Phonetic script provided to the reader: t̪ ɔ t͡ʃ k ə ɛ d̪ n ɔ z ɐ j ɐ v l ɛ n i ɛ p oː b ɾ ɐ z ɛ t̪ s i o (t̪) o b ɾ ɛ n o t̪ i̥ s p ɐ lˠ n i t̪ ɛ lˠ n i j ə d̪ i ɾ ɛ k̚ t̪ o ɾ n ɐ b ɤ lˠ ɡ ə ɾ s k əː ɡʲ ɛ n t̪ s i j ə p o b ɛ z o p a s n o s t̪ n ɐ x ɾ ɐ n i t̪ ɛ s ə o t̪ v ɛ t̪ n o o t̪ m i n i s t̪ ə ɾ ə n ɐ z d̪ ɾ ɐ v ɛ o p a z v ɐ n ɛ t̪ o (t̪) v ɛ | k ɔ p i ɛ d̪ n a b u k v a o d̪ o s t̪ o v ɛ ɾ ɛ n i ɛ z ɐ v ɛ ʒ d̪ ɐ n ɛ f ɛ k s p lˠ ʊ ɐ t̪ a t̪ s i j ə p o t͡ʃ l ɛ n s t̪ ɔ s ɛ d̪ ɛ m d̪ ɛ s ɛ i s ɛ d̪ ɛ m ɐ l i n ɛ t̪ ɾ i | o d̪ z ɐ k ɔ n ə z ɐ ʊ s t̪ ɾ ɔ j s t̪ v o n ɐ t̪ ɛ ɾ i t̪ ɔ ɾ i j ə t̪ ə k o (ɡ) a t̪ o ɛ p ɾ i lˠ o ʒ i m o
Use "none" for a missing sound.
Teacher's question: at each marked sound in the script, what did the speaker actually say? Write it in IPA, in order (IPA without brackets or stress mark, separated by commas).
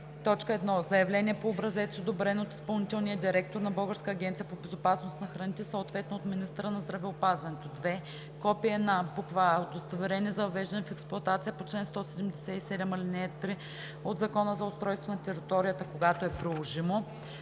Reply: d̪, d̪, ɡ